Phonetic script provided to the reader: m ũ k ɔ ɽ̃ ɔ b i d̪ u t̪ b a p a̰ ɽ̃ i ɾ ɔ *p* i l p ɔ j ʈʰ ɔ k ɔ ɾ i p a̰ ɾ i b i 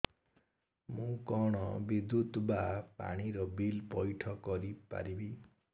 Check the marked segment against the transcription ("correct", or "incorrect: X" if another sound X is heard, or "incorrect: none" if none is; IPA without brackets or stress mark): incorrect: b